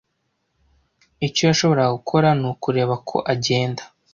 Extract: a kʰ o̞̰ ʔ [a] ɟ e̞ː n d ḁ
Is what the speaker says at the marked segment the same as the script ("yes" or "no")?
yes